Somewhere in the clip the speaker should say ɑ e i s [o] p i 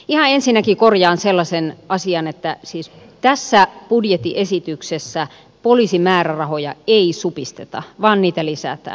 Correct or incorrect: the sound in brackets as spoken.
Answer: incorrect: u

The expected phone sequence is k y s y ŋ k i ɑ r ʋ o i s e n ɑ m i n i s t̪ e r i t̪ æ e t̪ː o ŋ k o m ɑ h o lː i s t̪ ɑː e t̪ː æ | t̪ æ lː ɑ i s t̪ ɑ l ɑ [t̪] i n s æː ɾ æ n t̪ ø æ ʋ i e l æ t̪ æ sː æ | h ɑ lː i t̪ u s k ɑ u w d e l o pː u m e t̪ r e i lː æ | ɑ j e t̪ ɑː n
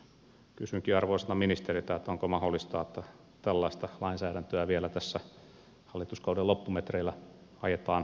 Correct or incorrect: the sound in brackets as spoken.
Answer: incorrect: none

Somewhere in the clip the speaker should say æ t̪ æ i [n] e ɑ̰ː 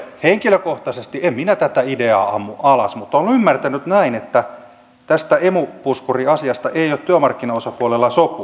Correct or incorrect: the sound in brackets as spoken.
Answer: incorrect: d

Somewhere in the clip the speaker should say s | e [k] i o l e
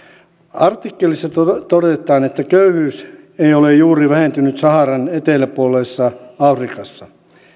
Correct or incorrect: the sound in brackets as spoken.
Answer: incorrect: none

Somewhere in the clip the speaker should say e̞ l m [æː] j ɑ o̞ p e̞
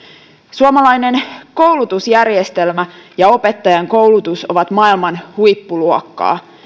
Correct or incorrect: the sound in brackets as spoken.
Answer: incorrect: æ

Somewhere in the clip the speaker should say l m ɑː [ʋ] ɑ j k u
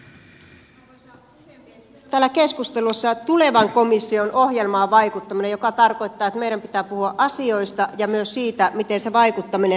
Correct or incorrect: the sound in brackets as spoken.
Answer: correct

